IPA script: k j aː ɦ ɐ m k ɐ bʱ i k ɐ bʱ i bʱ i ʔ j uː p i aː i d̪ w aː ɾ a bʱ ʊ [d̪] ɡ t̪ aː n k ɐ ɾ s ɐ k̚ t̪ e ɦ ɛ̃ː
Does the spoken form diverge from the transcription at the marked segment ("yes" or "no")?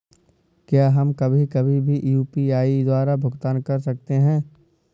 yes